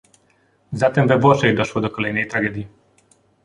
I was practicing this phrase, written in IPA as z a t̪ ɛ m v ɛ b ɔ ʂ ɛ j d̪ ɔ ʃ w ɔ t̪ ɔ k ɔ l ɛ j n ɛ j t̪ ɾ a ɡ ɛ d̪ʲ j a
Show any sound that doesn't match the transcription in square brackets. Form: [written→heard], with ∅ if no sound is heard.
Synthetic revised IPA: z a t̪ ɛ m v ɛ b ɔ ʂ ɛ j d̪ ɔ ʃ w ɔ [t̪→d̪] ɔ k ɔ l ɛ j n ɛ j t̪ ɾ a ɡ ɛ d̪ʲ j [a→i]